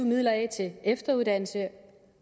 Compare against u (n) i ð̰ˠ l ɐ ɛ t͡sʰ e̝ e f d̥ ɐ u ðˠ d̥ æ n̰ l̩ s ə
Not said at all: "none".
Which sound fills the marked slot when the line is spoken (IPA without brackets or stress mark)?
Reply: m